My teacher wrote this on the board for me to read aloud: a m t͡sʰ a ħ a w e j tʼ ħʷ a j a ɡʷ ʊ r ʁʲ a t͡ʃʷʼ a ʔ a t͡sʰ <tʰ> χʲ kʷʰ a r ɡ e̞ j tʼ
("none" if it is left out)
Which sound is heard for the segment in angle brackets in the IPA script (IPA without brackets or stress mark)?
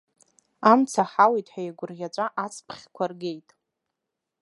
pʰ